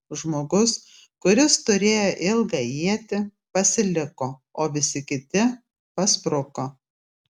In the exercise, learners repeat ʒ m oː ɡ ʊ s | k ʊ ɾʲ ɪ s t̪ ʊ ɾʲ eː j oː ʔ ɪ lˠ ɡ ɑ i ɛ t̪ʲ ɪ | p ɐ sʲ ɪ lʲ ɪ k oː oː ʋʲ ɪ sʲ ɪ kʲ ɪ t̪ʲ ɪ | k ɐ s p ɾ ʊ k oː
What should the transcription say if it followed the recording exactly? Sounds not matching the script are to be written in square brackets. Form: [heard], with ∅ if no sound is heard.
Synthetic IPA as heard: ʒ m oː ɡ ʊ s | k ʊ ɾʲ ɪ s t̪ ʊ ɾʲ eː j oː ʔ ɪ lˠ ɡ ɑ i ɛ t̪ʲ ɪ | p ɐ sʲ ɪ lʲ ɪ k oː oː ʋʲ ɪ sʲ ɪ kʲ ɪ t̪ʲ ɪ | [p] ɐ s p ɾ ʊ k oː